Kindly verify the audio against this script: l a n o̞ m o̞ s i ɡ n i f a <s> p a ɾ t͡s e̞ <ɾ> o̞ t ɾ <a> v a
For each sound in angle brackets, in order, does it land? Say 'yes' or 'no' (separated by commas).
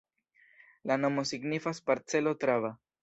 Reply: yes, no, yes